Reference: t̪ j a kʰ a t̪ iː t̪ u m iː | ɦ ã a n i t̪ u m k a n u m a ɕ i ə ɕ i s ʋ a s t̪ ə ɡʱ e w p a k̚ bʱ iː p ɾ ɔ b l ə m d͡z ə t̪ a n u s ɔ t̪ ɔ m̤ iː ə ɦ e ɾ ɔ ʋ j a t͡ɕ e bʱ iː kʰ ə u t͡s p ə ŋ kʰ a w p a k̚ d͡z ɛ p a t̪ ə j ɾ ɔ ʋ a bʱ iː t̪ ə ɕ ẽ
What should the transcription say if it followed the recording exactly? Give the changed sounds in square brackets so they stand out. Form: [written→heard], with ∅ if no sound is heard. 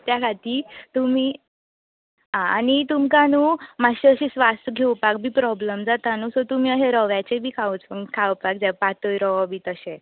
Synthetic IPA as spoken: t̪ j a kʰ a t̪ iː t̪ u m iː | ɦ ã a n i t̪ u m k a n u m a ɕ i ə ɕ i s ʋ a s t̪ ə ɡʱ e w p a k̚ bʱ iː p ɾ ɔ b l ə m d͡z [ə→a] t̪ a n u s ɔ t̪ [ɔ→u] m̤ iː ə ɦ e ɾ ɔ ʋ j a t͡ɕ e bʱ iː kʰ [ə→a] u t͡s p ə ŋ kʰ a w p a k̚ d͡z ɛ p a t̪ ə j ɾ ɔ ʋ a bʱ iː t̪ ə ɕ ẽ